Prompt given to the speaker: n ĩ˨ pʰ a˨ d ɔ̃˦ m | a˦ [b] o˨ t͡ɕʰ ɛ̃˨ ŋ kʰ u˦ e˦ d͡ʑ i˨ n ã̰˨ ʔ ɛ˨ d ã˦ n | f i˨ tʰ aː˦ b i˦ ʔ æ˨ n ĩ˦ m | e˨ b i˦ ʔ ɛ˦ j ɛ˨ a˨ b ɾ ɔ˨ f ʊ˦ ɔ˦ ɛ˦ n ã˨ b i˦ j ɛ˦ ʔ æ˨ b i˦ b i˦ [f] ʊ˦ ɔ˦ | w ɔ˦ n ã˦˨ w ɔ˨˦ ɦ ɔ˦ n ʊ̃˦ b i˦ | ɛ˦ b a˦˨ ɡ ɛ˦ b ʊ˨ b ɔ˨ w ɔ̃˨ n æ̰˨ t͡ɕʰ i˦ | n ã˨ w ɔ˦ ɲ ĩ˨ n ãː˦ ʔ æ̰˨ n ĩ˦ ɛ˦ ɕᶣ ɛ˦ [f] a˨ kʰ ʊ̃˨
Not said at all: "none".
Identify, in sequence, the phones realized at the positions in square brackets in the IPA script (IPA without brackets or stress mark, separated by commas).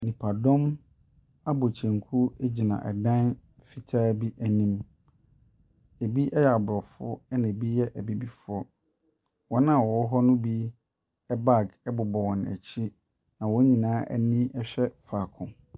b, f, f